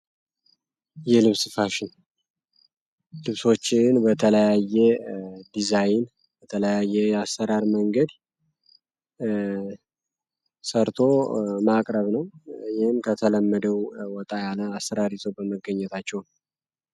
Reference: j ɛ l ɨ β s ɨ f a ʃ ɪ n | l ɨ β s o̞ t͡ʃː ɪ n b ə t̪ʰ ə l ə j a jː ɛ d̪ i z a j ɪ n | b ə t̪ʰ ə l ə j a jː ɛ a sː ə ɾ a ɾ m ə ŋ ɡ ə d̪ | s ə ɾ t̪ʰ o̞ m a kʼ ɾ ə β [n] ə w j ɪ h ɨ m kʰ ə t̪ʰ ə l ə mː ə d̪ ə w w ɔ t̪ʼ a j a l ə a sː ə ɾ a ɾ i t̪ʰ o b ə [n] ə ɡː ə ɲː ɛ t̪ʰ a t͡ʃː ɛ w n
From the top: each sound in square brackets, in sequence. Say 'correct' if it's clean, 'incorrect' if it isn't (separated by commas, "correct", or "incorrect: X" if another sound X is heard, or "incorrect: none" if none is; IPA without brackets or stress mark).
correct, incorrect: m